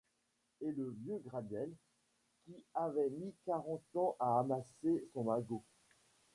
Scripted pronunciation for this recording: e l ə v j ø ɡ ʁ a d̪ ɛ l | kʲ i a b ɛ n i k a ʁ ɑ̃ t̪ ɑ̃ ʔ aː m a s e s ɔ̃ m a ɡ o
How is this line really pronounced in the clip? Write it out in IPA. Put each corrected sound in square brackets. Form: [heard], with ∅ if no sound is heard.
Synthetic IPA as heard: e l ə v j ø ɡ ʁ a d̪ ɛ l | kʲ i a [v] ɛ [m] i k a ʁ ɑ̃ t̪ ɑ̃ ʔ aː m a s e s ɔ̃ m a ɡ o